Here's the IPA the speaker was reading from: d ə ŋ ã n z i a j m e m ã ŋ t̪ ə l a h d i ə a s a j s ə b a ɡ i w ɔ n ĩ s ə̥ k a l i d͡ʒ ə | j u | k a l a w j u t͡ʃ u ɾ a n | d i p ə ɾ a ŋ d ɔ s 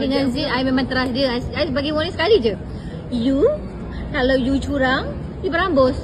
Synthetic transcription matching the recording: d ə ŋ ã n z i a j m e m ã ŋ t̪ ə ɾ a s d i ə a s a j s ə b a ɡ i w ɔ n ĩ s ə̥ k a l i d͡ʒ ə | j u | k a l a w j u t͡ʃ u ɾ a ŋ | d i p ə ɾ a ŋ b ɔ s